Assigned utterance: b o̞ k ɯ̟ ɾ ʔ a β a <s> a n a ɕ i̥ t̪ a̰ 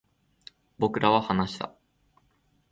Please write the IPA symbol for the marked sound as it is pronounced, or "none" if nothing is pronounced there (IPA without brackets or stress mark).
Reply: h